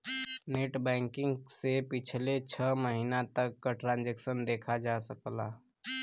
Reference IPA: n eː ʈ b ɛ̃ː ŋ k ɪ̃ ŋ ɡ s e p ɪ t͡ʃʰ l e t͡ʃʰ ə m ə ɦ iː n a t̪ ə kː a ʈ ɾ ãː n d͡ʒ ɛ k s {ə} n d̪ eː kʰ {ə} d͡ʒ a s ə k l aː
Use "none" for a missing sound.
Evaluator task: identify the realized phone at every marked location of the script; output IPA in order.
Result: ə, a

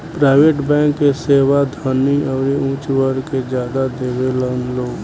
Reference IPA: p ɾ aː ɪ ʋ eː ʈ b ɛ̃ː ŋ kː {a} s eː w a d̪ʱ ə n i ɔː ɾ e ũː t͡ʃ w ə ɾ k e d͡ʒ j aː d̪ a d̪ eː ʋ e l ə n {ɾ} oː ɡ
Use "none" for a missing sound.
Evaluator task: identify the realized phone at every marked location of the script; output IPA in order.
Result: e, l

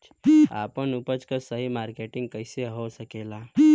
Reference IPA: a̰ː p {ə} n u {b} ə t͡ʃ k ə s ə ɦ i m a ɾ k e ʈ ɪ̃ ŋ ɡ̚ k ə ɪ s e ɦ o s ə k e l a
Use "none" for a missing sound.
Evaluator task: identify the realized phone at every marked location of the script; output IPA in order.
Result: ə, p

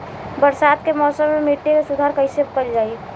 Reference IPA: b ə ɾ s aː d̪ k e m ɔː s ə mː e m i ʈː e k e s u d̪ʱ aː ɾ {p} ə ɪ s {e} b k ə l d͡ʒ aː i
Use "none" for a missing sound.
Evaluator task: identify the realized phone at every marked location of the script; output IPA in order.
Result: k, e

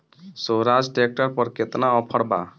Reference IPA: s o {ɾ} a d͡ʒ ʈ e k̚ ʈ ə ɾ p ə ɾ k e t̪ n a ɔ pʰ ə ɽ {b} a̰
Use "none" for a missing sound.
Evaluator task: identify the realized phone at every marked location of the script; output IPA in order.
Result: ɾ, b

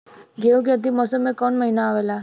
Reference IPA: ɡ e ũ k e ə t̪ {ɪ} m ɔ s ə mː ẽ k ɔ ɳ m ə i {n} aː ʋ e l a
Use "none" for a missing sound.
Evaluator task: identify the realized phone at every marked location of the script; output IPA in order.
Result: i, n

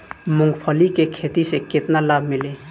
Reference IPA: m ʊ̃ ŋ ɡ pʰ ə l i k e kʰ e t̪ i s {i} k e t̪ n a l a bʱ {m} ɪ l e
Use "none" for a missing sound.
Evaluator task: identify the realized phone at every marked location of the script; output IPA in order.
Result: e, m

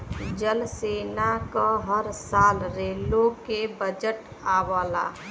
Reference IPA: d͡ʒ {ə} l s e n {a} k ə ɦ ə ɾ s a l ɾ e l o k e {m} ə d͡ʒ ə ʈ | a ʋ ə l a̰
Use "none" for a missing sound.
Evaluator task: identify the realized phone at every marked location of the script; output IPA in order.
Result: ə, a, b

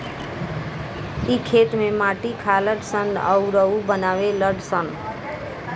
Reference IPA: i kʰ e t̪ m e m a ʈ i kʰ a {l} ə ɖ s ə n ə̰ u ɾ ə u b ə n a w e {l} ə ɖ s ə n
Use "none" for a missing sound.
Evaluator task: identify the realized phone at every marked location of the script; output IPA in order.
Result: l, l

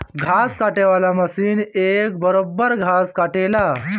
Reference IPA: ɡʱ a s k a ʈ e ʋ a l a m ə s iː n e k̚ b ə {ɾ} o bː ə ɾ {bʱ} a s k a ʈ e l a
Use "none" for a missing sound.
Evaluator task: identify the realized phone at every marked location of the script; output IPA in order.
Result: ɾ, ɡʱ

